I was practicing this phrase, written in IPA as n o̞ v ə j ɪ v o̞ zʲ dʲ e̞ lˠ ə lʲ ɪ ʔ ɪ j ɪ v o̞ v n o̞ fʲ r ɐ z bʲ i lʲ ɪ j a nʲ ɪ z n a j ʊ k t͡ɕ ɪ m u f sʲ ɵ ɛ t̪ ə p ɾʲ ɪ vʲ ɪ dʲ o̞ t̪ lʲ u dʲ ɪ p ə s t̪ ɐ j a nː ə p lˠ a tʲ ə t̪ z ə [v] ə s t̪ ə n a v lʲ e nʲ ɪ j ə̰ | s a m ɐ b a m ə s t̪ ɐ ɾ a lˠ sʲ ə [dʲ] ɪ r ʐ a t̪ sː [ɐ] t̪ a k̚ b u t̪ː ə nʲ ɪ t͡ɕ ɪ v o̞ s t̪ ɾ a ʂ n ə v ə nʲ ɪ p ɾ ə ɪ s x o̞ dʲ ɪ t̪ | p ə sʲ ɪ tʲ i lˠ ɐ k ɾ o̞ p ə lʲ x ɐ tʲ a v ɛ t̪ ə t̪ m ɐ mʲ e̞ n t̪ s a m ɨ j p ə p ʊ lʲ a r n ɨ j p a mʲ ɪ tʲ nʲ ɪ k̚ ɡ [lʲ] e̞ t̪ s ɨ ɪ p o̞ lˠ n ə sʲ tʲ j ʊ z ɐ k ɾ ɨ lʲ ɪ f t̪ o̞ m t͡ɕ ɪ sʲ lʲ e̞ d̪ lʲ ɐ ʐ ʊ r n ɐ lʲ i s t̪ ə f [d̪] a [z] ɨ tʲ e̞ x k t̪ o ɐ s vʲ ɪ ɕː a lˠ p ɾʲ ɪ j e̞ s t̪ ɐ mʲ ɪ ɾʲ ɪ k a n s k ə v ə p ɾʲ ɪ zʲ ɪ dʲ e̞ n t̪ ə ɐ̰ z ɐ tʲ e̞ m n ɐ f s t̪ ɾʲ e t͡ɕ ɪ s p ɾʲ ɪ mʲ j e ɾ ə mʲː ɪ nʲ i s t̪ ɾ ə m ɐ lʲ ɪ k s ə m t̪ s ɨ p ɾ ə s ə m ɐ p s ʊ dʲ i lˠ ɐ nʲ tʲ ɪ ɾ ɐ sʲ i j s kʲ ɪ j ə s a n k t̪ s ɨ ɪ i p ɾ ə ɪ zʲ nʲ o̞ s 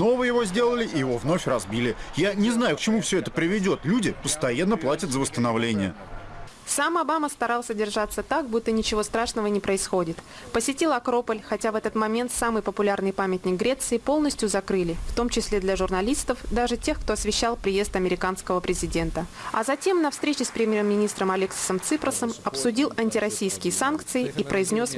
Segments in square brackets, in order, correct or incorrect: correct, correct, incorrect: ə, incorrect: ɾʲ, correct, incorrect: ʐ

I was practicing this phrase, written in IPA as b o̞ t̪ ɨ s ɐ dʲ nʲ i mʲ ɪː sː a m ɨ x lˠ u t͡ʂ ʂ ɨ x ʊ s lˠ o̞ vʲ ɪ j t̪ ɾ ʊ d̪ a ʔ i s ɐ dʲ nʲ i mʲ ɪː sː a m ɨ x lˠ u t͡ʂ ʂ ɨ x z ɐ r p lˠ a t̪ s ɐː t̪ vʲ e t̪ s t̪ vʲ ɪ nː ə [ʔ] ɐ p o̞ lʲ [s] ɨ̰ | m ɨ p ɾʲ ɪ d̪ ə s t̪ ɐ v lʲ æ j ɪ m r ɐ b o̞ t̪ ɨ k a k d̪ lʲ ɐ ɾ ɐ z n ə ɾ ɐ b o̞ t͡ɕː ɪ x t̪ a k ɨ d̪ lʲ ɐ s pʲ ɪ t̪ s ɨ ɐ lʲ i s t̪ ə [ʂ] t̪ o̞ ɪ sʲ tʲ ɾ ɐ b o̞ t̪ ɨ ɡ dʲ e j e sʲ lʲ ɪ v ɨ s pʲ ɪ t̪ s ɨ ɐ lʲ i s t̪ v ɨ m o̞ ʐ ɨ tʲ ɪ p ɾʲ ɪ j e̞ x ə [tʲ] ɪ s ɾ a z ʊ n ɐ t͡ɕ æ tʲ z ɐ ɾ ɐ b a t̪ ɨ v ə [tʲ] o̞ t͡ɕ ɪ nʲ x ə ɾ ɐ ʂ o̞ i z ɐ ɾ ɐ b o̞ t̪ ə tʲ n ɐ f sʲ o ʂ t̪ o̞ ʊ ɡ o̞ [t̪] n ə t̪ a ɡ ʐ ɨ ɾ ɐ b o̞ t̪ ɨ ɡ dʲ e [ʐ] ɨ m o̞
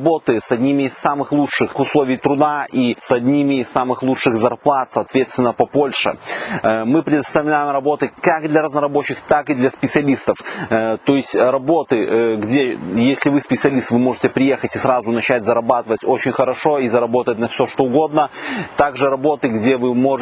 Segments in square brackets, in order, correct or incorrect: incorrect: p, incorrect: ʂ, incorrect: f, correct, correct, incorrect: d̪, incorrect: v

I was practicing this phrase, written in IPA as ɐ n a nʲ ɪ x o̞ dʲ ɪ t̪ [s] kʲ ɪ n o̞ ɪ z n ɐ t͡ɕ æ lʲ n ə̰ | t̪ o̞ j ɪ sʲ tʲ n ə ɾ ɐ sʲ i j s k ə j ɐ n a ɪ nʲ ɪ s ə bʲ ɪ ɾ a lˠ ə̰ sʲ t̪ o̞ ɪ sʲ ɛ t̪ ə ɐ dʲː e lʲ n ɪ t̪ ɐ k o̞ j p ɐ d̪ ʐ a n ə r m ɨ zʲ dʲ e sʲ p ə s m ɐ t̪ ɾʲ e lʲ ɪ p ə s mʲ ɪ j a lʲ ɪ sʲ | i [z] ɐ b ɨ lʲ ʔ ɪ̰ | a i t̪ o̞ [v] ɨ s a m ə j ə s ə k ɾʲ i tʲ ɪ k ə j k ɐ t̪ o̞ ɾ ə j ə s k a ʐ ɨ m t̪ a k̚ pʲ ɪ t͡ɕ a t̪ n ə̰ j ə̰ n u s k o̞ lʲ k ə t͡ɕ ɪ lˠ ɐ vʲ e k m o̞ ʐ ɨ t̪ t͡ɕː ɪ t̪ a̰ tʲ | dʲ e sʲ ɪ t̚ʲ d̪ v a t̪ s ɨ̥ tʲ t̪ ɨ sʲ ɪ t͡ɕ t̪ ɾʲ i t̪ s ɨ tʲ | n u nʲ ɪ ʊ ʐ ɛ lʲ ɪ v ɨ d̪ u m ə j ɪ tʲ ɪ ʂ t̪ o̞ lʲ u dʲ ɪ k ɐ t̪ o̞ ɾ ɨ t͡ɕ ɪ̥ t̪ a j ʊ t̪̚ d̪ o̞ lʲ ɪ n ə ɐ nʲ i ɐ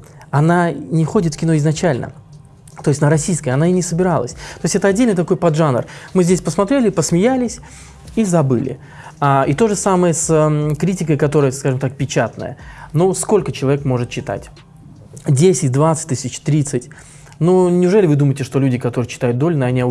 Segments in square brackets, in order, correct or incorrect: incorrect: f, correct, incorrect: ʐ

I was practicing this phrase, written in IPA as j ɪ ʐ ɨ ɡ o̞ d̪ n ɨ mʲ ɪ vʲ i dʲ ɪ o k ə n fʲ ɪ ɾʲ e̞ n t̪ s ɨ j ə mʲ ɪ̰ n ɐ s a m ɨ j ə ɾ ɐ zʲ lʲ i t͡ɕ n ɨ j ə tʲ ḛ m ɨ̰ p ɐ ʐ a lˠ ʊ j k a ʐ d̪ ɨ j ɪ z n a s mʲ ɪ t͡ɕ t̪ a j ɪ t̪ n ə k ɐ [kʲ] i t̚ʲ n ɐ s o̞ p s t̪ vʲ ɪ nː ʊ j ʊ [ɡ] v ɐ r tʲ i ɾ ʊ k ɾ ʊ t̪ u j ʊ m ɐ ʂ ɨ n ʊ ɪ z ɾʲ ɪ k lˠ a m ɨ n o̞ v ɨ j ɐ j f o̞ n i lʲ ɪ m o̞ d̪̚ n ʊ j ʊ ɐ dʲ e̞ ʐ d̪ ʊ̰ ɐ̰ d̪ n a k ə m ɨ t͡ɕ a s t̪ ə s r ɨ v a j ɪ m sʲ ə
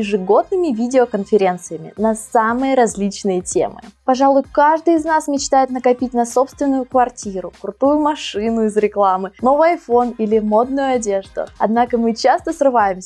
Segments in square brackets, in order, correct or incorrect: incorrect: pʲ, incorrect: k

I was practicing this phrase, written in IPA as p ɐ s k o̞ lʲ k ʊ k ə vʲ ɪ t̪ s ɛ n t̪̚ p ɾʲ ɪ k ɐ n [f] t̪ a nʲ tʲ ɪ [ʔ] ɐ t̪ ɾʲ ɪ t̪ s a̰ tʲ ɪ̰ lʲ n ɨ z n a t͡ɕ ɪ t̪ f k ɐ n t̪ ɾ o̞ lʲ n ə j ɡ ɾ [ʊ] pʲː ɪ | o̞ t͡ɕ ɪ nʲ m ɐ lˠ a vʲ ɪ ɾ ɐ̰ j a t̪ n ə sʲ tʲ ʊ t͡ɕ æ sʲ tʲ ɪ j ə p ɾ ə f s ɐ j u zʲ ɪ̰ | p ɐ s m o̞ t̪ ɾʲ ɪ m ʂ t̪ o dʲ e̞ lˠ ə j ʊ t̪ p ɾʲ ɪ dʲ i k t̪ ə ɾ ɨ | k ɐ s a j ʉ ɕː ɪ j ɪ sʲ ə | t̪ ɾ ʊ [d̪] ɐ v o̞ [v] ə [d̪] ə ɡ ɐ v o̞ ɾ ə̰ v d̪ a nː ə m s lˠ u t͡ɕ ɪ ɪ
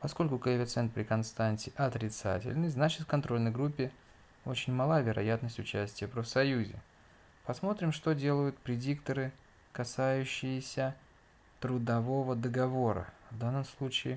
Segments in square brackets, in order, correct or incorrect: incorrect: s, correct, incorrect: u, correct, correct, correct

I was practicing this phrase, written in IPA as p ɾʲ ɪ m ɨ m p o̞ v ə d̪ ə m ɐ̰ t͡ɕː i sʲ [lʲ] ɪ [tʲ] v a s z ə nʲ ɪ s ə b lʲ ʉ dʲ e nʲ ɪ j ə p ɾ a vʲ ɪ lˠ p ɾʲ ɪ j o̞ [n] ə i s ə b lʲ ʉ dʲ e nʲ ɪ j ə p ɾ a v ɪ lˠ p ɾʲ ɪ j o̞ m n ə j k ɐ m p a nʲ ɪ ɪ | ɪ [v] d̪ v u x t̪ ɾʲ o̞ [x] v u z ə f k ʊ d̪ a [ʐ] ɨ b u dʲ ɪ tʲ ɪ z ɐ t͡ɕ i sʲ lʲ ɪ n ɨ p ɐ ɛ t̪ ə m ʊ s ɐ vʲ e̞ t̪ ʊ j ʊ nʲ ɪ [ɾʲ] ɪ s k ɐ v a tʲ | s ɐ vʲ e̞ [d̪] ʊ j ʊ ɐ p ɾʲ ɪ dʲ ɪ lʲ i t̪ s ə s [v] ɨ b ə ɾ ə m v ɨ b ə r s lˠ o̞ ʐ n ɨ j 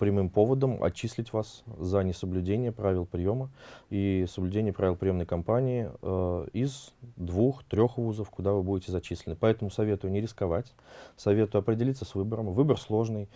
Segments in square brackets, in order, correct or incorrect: correct, correct, incorrect: m, incorrect: z, correct, incorrect: v, correct, incorrect: t̪, correct

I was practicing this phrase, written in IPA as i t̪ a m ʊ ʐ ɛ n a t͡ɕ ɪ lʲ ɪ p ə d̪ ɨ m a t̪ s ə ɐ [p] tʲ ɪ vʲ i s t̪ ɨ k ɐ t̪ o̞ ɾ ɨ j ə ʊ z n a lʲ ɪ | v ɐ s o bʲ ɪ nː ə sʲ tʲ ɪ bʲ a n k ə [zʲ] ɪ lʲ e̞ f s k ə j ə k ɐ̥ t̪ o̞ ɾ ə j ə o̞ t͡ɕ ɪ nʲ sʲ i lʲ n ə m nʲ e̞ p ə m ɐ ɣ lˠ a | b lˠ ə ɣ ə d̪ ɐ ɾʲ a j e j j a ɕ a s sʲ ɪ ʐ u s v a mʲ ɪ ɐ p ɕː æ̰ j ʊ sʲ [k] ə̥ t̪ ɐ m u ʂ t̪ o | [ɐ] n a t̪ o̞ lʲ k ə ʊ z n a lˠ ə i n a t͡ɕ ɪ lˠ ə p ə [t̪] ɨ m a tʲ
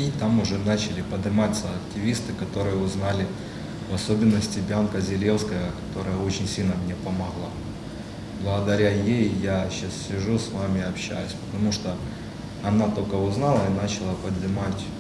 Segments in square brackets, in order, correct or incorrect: incorrect: k, correct, incorrect: p, correct, incorrect: d̪

